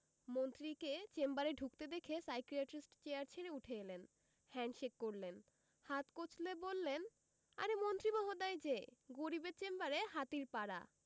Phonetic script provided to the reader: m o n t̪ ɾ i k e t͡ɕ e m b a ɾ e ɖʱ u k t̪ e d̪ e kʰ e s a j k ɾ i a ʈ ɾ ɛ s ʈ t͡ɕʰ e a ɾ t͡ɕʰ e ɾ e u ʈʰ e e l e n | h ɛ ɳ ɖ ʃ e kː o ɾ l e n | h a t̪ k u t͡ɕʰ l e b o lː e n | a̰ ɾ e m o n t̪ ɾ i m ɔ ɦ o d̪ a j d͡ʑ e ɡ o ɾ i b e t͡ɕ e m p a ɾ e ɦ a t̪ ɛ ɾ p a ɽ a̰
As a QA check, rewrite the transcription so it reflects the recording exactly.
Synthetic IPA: m o n t̪ ɾ i k e t͡ɕ e m b a ɾ e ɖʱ u k t̪ e d̪ e kʰ e s a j k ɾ i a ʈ ɾ i s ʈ t͡ɕ e a ɾ t͡ɕʰ e ɾ e u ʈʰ e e l e n | h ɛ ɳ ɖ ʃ e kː o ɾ l e n | h a t̪ k o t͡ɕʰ l e b o lː e n | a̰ ɾ e m o n t̪ ɾ i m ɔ ɦ o d̪ a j d͡ʑ e ɡ o ɾ i b e t͡ɕ e m b a ɾ e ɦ a t̪ i ɾ p a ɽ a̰